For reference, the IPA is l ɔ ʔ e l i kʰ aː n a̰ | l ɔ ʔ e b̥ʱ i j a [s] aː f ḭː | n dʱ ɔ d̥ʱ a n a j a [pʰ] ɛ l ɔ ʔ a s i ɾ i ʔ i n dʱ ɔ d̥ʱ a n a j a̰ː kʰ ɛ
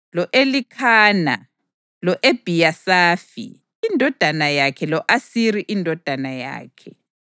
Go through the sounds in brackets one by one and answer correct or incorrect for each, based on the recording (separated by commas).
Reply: correct, incorrect